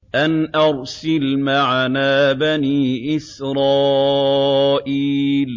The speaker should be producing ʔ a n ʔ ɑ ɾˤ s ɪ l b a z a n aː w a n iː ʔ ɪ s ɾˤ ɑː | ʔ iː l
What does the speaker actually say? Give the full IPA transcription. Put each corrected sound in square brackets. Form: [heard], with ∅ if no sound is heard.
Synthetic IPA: ʔ a n ʔ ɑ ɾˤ s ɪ l [m] a [ʕ] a n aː [b] a n iː ʔ ɪ s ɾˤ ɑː | ʔ iː l

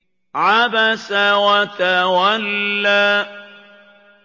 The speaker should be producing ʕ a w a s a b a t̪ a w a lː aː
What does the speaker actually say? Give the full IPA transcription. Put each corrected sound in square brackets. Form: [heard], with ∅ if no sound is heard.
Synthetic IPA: ʕ a [b] a s a [w] a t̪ a w a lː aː

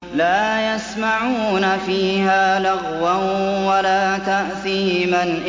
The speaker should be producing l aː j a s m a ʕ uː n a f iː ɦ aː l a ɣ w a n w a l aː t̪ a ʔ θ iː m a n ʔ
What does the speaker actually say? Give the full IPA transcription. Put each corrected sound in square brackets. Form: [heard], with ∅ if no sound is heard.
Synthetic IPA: l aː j a s m a ʕ uː n a f iː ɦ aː l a ɣ w a n w a l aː t̪ a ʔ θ iː m a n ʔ

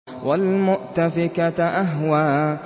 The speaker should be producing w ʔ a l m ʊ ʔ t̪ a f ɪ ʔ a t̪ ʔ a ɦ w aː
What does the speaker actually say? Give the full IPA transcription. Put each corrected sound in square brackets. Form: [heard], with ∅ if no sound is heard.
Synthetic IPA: w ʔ a l m ʊ ʔ t̪ a f ɪ [k] a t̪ ʔ a ɦ w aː

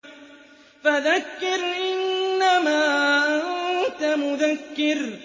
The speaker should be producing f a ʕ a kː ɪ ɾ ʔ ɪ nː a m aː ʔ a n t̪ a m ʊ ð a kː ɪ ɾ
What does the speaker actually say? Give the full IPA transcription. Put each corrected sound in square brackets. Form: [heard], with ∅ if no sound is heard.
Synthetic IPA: f a [ð] a kː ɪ ɾ ʔ ɪ nː a m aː ʔ a n t̪ a m ʊ ð a kː ɪ ɾ

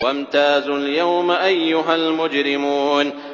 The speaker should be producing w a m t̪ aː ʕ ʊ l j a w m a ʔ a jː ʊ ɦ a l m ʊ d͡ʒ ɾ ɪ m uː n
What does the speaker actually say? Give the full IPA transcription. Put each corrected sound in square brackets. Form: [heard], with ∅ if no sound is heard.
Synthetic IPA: w a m t̪ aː [z] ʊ l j a w m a ʔ a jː ʊ ɦ a l m ʊ d͡ʒ ɾ ɪ m uː n

